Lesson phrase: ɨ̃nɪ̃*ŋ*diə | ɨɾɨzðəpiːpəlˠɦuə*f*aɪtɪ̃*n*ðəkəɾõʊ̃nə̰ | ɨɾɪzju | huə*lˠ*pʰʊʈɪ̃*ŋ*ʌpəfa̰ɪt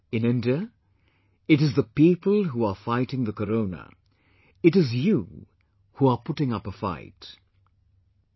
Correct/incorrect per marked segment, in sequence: incorrect, correct, incorrect, incorrect, correct

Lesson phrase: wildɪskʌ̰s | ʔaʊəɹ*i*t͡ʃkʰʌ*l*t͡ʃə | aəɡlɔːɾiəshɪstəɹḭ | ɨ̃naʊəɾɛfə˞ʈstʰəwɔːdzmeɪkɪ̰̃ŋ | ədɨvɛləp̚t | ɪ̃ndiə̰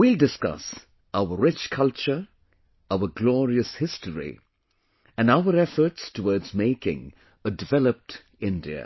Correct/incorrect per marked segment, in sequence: incorrect, correct

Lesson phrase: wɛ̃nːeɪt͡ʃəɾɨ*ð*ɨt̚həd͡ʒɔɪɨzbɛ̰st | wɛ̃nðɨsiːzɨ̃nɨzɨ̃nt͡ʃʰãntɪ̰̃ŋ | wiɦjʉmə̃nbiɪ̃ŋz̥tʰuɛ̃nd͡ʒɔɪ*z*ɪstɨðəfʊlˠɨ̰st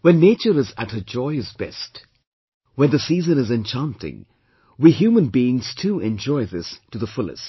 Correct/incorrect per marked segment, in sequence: incorrect, incorrect

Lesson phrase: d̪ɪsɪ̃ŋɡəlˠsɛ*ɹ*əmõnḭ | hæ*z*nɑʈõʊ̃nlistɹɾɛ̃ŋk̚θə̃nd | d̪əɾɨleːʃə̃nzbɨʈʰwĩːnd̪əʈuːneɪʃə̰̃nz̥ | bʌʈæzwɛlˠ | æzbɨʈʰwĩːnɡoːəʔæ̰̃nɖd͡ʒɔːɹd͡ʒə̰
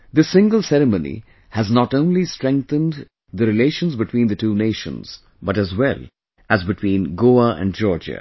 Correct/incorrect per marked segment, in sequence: incorrect, correct

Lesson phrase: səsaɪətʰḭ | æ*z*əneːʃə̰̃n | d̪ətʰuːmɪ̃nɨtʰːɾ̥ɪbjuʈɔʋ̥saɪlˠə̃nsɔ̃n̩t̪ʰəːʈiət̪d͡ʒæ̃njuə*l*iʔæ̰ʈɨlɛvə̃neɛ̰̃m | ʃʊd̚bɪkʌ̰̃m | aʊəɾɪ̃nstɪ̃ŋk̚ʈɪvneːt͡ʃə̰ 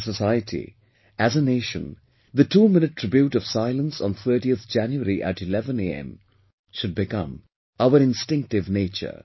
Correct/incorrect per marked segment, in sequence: correct, incorrect

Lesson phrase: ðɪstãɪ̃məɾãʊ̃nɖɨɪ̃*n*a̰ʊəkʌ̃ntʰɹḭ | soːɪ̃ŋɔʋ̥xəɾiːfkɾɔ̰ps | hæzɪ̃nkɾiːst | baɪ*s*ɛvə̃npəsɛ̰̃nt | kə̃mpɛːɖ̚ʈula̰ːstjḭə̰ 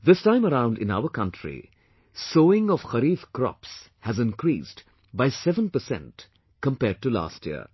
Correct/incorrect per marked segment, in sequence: correct, correct

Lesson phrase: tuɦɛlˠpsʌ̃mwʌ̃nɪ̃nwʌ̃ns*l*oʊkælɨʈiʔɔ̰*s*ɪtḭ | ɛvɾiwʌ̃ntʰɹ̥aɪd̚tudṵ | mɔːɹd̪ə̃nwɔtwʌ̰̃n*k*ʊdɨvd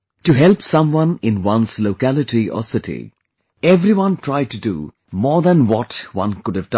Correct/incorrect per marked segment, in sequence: correct, correct, correct

